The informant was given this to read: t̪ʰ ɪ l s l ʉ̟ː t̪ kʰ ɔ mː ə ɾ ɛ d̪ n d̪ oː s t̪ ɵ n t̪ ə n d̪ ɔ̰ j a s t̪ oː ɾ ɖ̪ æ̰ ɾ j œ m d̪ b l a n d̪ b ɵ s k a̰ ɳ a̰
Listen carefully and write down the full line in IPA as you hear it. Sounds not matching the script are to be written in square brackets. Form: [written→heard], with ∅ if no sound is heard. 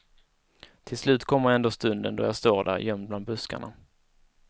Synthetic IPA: t̪ʰ ɪ l s l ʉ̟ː t̪ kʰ ɔ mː ə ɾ ɛ [d̪→∅] n d̪ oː s t̪ ɵ n [t̪→d̪] ə n d̪ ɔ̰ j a s t̪ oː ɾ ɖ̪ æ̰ ɾ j œ m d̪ b l a n d̪ b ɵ s k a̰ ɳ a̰